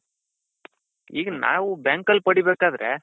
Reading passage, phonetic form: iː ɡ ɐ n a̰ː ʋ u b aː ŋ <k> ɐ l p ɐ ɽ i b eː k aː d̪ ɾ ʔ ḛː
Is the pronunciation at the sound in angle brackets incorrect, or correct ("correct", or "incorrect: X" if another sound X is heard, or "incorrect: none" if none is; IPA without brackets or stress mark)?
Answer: correct